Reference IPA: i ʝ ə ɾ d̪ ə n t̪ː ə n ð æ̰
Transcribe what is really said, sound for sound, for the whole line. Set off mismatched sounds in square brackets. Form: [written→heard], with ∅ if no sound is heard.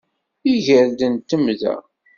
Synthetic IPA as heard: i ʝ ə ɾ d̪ ə n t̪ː ə [n→m] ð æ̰